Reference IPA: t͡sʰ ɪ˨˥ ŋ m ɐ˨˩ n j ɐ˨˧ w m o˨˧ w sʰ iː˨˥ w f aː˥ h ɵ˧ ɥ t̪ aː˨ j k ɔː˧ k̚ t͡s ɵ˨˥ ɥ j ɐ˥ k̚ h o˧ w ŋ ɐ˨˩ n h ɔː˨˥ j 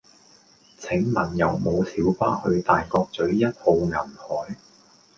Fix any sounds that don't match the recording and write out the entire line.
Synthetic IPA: t͡sʰ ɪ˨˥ ŋ m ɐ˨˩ n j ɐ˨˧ w m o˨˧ w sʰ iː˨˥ w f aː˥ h ɵ˧ ɥ t̪ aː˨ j k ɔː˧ k̚ t͡s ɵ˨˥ ɥ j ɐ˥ t̚ h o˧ w ŋ ɐ˨˩ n h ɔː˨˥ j